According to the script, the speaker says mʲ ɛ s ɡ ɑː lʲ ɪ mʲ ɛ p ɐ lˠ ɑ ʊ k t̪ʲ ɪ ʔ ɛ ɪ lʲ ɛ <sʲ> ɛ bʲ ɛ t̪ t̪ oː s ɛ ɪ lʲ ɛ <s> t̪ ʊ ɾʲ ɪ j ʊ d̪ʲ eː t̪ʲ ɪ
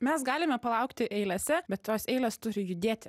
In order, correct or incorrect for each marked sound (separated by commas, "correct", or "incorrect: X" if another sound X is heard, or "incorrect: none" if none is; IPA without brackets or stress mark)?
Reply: correct, correct